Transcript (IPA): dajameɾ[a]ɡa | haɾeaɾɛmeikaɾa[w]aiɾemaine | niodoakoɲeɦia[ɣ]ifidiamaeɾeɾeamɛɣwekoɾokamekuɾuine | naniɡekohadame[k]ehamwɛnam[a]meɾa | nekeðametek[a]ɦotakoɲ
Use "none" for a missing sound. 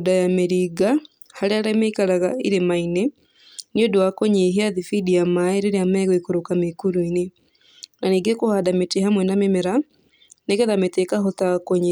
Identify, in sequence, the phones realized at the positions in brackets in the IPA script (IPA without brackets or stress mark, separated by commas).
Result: i, ɣ, ð, t, e, a